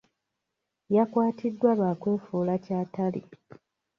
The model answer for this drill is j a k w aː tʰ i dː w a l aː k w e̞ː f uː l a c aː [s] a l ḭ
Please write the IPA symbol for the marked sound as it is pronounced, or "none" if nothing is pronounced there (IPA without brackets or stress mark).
t